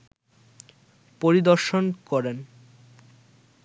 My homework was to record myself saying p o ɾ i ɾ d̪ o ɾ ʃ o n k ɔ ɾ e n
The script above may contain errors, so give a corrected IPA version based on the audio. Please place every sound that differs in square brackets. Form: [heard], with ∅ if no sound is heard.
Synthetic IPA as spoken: p o ɾ i [∅] d̪ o ɾ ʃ o n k ɔ ɾ e n